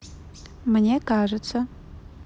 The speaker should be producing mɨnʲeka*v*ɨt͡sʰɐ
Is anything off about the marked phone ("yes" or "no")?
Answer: yes